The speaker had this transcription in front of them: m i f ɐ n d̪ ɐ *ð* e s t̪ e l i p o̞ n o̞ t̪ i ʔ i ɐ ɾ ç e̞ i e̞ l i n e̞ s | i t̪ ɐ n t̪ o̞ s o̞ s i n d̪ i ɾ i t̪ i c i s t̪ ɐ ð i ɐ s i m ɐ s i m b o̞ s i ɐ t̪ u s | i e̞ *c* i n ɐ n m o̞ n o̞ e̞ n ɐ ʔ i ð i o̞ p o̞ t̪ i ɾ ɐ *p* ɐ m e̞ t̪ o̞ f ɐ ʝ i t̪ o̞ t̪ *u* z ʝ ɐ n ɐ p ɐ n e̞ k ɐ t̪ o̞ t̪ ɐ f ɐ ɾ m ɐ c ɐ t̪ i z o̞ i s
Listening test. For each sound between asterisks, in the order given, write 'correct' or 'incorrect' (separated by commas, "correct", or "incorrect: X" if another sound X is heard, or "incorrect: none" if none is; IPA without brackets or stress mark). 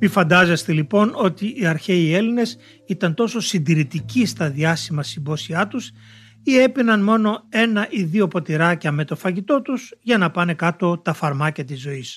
incorrect: z, incorrect: p, incorrect: c, correct